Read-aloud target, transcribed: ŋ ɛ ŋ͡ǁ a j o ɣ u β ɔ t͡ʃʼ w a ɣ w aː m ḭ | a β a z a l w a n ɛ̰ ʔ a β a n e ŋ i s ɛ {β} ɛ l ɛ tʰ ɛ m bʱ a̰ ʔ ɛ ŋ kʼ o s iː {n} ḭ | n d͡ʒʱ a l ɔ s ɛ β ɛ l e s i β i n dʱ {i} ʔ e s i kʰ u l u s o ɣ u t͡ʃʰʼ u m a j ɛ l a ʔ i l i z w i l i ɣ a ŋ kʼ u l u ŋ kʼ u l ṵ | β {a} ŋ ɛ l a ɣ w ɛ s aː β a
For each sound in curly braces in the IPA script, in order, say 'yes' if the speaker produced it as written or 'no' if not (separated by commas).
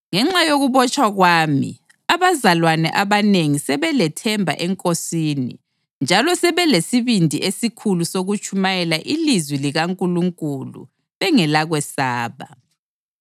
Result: yes, yes, yes, no